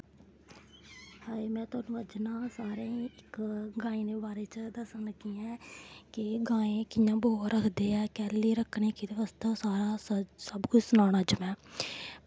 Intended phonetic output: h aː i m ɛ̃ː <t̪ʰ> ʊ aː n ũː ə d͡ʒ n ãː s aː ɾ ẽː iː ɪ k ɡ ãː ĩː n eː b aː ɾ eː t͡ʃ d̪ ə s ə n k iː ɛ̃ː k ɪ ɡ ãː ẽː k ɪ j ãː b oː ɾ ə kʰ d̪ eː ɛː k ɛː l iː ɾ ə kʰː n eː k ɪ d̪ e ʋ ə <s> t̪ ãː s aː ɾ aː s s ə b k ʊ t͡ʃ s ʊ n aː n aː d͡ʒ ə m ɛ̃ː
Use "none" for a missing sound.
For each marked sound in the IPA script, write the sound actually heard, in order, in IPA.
t̪, s

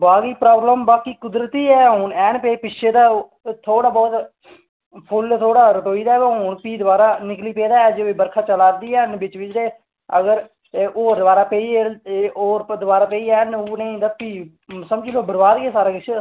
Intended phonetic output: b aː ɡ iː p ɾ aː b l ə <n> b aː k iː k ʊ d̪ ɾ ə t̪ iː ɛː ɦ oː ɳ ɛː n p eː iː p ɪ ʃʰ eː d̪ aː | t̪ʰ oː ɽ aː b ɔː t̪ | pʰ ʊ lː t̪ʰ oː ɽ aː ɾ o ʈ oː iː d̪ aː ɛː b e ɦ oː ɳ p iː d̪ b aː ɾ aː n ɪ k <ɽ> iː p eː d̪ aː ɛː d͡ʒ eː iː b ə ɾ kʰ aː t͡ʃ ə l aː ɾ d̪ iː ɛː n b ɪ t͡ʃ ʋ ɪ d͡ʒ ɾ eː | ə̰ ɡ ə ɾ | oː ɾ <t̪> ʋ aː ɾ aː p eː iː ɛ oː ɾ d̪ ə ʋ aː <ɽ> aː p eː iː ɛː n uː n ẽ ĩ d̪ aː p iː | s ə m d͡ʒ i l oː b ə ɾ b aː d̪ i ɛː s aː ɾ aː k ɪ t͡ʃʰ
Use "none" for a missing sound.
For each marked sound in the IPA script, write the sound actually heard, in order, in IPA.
m, l, d̪, ɾ

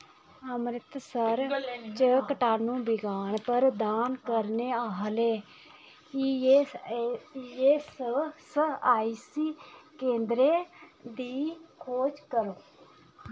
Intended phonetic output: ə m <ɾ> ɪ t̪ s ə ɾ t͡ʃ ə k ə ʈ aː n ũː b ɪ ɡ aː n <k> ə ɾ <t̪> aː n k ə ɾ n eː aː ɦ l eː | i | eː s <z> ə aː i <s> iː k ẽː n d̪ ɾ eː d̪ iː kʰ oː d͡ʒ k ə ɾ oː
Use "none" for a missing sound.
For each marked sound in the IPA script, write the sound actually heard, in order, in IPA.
ɾ, p, d̪, s, s

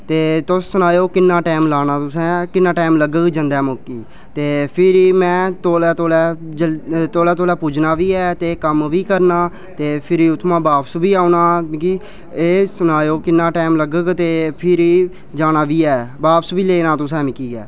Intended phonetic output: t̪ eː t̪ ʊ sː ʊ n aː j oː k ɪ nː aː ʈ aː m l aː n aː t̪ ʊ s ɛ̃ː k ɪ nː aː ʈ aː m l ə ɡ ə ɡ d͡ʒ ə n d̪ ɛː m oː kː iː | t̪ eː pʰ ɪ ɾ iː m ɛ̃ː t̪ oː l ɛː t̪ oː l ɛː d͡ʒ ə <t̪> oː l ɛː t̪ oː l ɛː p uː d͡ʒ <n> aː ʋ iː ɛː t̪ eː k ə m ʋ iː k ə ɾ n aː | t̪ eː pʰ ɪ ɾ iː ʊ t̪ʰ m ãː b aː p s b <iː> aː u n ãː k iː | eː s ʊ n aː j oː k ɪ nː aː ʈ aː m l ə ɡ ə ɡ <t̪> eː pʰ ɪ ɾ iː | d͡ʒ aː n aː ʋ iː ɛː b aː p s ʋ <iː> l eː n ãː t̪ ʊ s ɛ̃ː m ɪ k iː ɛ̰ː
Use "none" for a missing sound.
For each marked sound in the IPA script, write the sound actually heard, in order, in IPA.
t̪, n, iː, t̪, iː

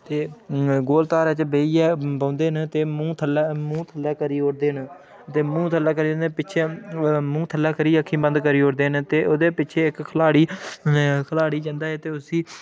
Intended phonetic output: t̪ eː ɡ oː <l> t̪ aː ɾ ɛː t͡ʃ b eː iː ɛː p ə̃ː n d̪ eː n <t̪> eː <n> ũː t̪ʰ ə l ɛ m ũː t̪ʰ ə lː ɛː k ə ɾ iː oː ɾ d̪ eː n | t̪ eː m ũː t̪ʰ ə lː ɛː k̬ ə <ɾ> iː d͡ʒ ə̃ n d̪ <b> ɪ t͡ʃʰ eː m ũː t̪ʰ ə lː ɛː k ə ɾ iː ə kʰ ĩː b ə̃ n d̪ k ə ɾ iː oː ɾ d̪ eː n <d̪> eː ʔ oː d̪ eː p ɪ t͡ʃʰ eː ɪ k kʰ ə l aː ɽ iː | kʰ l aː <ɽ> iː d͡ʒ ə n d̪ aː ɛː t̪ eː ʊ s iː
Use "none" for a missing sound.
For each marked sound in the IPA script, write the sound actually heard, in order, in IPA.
l, t̪, m, ɾ, p, t̪, ɽ

